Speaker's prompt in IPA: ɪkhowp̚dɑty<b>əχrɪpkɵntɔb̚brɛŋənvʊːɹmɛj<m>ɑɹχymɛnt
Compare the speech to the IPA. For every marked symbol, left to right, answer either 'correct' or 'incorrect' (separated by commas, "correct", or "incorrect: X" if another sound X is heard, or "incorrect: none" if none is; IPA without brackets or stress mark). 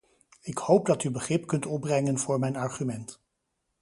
correct, incorrect: n